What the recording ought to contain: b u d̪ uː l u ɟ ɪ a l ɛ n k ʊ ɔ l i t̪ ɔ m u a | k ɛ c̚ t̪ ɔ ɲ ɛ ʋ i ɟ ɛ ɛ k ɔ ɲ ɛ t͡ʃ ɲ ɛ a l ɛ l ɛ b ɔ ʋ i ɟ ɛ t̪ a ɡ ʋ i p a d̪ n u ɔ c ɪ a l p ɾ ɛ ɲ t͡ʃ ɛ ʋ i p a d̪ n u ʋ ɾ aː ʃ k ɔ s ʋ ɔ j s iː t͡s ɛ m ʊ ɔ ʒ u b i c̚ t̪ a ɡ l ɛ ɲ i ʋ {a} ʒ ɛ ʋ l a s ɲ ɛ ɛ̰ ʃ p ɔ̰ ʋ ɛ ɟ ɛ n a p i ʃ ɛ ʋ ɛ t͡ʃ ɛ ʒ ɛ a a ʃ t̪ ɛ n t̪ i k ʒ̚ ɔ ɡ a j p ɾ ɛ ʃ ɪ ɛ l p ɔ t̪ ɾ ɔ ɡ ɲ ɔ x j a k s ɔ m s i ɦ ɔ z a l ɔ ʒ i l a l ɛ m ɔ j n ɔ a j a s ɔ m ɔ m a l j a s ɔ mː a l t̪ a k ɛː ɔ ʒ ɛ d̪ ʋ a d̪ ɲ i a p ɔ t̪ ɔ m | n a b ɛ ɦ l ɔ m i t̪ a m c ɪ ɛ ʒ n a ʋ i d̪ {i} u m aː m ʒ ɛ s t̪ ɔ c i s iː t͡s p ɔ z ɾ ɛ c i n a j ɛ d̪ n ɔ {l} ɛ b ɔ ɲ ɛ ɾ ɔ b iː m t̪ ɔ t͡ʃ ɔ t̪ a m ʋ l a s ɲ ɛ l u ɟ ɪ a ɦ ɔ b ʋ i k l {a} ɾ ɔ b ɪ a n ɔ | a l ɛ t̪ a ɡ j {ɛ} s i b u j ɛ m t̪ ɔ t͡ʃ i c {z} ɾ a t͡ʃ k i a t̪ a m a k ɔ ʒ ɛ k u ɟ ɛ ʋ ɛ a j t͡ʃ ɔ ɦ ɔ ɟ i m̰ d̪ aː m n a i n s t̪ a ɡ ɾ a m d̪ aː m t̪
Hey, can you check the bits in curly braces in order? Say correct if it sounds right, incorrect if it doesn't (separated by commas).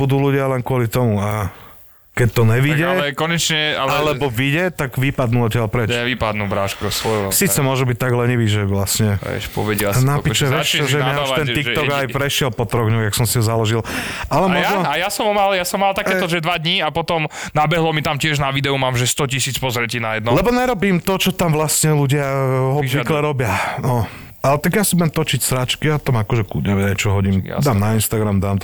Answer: incorrect, incorrect, correct, incorrect, incorrect, incorrect